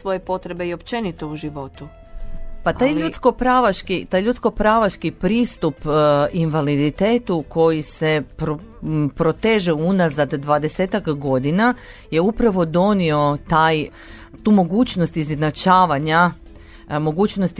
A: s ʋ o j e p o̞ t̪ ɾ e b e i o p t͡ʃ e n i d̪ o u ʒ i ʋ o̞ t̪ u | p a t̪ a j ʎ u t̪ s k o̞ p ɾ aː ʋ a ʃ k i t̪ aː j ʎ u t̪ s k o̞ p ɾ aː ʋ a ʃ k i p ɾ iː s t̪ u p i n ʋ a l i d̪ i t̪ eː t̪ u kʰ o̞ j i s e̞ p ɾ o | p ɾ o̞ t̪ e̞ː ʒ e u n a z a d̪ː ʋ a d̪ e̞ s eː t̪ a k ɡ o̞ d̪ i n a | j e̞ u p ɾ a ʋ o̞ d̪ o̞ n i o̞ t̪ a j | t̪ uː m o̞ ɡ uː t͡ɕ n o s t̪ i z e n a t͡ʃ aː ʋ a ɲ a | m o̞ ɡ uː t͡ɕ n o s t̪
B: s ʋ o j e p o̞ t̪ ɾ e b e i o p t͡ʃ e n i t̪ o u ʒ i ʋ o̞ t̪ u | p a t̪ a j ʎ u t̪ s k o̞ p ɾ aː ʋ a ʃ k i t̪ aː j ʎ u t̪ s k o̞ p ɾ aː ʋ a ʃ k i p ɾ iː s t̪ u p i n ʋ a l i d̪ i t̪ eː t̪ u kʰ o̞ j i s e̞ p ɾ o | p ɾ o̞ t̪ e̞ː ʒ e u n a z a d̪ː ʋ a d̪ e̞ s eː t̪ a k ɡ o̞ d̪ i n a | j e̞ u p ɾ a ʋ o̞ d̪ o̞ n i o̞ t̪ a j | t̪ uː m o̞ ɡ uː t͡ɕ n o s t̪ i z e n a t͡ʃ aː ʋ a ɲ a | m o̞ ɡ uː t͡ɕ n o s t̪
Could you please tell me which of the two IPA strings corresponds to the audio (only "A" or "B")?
B